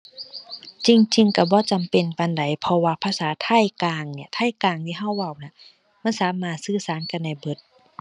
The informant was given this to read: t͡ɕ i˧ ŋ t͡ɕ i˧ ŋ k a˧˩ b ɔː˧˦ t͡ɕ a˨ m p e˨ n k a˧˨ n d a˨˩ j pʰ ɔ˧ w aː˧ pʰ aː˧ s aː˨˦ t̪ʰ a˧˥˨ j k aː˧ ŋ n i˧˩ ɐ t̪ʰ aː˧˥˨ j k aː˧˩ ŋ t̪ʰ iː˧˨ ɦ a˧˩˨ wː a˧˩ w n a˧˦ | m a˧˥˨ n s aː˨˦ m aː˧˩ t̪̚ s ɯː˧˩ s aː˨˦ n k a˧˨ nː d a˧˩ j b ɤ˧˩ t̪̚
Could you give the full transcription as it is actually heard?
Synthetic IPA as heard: t͡ɕ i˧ ŋ t͡ɕ i˧ ŋ k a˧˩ b ɔː˧˦ t͡ɕ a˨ m p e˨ n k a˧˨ n d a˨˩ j pʰ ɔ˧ w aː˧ pʰ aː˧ s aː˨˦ t̪ʰ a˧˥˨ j k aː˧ ŋ n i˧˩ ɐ t̪ʰ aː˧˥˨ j k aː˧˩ ŋ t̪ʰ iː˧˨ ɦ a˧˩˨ wː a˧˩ w n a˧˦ | m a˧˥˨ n s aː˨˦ m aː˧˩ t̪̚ s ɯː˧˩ s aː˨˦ n k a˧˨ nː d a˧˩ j b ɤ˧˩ t̪̚